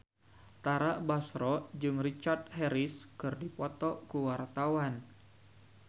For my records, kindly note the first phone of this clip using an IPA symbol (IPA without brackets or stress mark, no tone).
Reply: t̪